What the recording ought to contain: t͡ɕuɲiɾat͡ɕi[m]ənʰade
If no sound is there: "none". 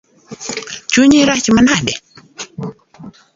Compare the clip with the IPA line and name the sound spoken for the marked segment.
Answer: m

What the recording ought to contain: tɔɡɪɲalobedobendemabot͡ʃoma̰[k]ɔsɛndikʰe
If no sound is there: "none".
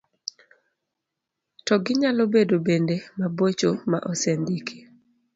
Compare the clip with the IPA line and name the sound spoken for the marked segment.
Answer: ʔ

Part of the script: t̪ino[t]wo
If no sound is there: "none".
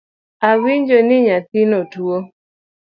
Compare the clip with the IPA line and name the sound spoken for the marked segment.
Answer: t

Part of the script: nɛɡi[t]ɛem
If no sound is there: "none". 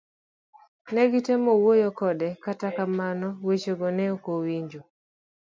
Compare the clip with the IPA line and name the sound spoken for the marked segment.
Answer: t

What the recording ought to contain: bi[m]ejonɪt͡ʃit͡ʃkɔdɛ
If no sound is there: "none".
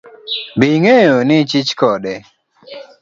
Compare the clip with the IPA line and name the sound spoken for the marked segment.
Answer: ŋ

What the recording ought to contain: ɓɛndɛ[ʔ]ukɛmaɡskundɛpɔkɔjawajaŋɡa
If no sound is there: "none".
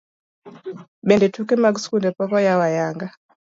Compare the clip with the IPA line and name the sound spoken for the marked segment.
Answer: t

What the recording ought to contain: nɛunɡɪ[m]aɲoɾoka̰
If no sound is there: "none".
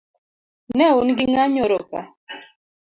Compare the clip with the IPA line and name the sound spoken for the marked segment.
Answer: ŋ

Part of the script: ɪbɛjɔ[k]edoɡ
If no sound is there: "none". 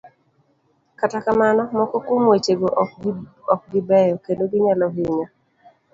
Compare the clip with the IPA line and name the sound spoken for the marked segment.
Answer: k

